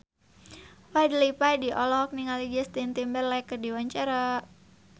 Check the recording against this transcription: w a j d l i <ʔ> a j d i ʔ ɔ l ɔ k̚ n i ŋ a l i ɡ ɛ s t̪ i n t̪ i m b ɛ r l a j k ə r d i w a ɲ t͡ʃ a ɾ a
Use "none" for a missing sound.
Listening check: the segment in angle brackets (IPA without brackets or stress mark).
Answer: p